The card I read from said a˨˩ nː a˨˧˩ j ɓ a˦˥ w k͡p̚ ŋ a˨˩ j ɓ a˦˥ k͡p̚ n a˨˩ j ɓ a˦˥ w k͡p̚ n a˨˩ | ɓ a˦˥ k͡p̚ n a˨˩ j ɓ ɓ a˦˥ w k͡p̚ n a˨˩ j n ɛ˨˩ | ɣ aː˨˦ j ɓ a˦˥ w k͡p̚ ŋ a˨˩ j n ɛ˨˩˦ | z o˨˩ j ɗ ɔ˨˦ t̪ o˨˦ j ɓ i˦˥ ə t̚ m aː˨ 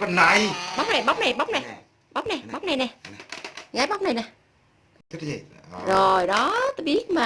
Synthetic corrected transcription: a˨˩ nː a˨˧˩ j ɓ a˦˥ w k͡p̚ n a˨˩ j ɓ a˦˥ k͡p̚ n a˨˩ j ɓ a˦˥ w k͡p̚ n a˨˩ | ɓ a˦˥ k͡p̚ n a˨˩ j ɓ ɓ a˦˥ w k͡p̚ n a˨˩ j n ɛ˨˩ | ɣ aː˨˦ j ɓ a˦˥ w k͡p̚ n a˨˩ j n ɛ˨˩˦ | z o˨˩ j ɗ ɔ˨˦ t̪ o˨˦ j ɓ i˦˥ ə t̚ m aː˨